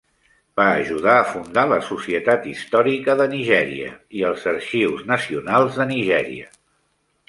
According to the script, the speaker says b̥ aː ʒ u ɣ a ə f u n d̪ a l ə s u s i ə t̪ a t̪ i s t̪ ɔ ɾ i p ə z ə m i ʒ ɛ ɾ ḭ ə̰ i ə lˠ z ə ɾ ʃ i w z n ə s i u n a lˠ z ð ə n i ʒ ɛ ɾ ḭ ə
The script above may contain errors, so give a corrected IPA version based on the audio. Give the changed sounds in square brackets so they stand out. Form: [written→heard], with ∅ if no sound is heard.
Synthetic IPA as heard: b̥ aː ʒ u [ɣ→ð] a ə f u n d̪ a l ə s u s i ə t̪ a t̪ i s t̪ ɔ ɾ i [p→k] ə [z→ð] ə [m→n] i ʒ ɛ ɾ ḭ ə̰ i ə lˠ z ə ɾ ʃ i w z n ə s i u n a lˠ z ð ə n i ʒ ɛ ɾ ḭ ə